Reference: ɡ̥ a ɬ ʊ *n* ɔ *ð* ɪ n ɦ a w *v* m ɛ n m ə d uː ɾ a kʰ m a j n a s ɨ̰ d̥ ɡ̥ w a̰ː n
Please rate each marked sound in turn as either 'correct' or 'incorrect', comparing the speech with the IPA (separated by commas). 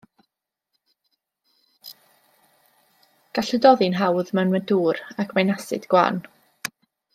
incorrect, correct, incorrect